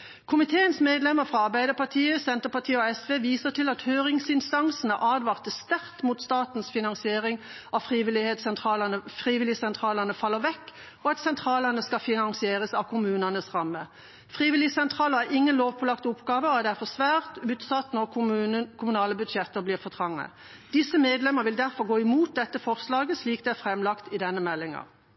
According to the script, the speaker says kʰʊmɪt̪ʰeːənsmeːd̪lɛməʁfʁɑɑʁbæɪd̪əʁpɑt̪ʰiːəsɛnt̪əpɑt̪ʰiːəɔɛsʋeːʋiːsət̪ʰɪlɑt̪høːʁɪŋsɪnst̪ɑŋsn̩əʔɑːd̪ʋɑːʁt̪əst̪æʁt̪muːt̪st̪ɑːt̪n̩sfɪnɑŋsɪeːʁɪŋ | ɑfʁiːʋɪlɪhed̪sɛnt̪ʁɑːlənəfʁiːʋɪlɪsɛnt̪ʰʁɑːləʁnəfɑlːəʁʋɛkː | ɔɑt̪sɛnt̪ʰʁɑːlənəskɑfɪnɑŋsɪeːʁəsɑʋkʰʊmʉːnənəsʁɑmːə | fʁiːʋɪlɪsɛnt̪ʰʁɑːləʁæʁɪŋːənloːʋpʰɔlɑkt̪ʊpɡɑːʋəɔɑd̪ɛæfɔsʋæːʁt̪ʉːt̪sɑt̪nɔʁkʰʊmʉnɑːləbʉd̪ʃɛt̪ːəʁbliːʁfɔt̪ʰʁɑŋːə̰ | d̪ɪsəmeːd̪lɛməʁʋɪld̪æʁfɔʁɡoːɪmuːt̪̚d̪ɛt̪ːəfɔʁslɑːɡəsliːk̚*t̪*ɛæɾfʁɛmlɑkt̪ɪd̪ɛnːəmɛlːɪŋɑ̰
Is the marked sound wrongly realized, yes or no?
yes